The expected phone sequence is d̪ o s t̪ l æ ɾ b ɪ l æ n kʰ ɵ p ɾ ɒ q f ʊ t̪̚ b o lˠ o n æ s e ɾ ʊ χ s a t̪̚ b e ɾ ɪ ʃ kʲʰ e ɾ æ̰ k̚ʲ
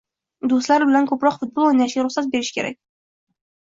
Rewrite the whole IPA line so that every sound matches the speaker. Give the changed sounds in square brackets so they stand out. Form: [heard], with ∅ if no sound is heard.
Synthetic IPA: d̪ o s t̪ l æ ɾ b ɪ l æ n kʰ ɵ p ɾ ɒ q f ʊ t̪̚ b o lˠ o n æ [ʃ] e ɾ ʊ χ s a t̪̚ b e ɾ ɪ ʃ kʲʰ e ɾ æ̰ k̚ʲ